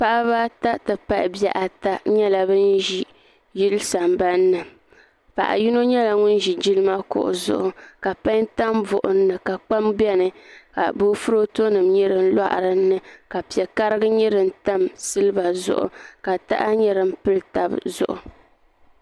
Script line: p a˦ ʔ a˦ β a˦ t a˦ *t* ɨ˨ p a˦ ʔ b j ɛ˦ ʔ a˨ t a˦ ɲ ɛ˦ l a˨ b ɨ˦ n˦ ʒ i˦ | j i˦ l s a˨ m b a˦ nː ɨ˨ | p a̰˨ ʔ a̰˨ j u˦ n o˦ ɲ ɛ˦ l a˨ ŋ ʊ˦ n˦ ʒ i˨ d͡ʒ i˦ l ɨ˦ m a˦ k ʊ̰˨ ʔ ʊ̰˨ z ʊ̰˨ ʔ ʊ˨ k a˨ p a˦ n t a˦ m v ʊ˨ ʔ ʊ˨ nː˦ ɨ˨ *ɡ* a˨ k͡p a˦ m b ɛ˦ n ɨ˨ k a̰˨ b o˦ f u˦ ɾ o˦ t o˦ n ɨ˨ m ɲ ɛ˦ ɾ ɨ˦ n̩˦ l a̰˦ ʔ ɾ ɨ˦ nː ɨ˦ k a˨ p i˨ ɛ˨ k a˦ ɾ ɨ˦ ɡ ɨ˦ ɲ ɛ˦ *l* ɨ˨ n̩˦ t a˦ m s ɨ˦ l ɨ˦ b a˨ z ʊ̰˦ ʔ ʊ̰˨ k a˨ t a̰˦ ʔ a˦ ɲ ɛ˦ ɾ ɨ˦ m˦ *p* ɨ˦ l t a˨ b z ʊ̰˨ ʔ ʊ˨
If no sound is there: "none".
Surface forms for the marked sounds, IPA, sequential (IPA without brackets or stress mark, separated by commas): t, k, ɾ, p